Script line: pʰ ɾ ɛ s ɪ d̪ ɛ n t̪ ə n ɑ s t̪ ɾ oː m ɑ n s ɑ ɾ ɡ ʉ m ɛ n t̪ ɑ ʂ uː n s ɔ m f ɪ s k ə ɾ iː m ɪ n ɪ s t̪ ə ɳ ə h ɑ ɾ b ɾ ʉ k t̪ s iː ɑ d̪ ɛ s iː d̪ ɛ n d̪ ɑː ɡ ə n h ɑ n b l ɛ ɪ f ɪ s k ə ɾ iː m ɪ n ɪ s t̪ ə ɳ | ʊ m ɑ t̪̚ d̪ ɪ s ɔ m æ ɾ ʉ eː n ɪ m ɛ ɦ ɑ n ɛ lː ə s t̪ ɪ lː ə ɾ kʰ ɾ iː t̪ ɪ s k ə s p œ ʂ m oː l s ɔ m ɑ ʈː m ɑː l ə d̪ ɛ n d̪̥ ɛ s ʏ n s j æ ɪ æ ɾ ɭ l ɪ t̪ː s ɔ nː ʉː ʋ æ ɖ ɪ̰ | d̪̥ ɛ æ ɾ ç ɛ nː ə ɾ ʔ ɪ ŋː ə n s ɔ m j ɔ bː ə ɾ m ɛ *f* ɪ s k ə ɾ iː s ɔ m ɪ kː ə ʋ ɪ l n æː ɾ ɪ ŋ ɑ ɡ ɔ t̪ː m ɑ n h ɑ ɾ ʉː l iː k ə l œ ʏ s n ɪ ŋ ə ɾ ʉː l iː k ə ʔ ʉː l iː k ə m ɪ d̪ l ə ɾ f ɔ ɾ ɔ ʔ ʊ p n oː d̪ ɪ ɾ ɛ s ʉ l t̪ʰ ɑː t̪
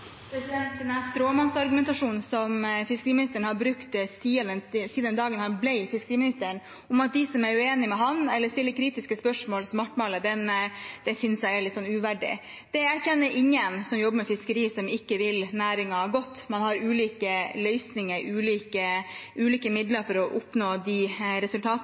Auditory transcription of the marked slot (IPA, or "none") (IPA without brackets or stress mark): f